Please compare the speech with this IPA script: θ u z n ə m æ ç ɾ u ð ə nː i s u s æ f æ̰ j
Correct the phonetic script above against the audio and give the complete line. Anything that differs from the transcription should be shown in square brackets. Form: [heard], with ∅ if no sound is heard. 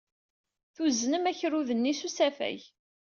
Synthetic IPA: θ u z n ə m æ ç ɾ u ð ə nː i s u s æ f æ̰ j